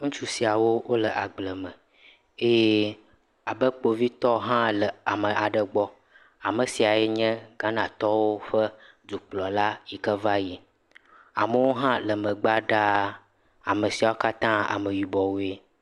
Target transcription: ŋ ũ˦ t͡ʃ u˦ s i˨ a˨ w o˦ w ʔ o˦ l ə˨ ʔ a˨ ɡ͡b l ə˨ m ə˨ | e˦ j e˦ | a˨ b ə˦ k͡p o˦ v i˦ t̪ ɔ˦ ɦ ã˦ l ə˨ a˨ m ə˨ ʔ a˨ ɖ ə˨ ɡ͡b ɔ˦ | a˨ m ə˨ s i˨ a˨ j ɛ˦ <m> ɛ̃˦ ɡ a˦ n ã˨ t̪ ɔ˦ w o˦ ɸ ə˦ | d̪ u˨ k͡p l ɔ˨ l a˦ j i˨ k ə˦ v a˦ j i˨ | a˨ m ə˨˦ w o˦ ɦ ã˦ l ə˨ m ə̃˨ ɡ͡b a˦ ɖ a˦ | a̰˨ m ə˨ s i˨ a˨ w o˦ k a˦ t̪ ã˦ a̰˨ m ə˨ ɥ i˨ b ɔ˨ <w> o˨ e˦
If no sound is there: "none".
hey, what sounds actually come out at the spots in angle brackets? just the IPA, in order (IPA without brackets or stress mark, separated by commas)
ɲ, w